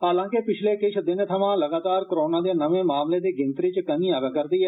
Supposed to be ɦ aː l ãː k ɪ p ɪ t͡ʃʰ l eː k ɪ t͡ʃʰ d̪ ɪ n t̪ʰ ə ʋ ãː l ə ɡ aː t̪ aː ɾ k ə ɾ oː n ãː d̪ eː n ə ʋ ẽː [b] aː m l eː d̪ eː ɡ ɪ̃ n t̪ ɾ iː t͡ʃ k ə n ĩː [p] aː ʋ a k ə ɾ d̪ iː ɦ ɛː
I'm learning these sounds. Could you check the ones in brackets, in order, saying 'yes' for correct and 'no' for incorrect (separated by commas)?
no, no